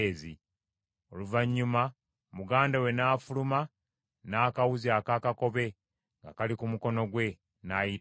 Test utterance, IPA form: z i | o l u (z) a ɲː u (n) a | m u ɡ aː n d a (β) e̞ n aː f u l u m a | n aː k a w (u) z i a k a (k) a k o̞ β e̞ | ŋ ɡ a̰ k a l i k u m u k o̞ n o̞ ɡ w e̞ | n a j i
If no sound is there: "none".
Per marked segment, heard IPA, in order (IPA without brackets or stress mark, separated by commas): v, m, w, u, k